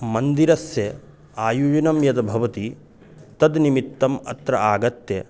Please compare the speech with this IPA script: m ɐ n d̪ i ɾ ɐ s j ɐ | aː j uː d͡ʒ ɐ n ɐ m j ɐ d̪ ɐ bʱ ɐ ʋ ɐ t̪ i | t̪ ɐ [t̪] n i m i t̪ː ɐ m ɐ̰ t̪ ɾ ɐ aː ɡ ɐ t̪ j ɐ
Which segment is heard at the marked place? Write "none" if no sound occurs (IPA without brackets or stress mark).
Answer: d̪